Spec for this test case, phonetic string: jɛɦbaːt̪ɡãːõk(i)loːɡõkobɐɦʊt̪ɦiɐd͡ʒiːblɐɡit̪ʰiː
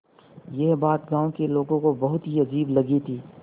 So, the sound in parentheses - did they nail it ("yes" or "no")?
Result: no